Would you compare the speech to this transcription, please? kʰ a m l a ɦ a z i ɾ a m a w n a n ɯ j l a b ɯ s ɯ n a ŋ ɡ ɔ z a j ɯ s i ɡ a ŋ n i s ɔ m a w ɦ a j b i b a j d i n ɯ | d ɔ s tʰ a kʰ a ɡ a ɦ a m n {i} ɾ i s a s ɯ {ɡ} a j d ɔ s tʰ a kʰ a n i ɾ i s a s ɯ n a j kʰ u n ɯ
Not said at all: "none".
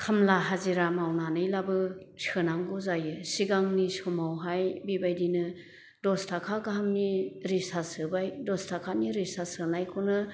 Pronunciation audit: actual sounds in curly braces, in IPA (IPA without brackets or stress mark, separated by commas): i, b